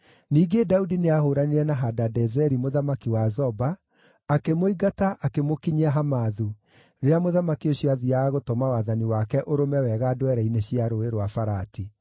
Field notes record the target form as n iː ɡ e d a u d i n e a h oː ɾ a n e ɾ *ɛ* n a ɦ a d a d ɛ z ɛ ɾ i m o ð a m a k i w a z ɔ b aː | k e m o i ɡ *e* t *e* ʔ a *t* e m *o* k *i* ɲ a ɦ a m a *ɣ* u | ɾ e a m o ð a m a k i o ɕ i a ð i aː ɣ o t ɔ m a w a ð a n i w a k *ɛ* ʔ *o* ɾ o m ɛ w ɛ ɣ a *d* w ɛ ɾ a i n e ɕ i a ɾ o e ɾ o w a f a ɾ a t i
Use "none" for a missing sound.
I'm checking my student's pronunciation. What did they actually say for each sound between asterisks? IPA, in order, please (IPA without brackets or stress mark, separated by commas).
ɛ, a, a, k, o, i, ð, ɛ, o, d